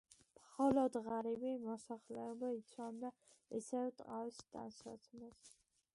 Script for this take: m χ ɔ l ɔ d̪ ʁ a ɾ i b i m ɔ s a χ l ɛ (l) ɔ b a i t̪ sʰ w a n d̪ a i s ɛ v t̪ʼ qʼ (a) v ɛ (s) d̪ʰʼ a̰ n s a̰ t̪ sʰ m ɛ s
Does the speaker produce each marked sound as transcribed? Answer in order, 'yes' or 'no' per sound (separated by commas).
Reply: no, yes, yes